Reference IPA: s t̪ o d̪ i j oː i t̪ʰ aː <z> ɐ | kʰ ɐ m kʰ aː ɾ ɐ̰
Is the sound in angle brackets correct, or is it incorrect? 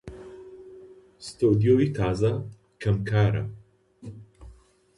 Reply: correct